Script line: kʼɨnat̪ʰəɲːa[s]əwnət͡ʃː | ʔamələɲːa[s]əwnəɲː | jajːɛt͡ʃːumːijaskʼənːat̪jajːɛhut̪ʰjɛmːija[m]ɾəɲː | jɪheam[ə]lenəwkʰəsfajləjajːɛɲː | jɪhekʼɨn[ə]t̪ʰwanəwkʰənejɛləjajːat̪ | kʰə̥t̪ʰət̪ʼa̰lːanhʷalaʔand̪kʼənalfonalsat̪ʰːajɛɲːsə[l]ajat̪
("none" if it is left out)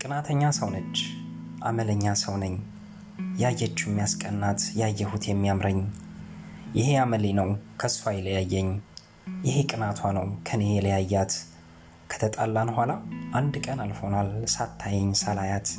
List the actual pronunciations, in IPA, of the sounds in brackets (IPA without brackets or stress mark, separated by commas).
s, s, m, ə, a, l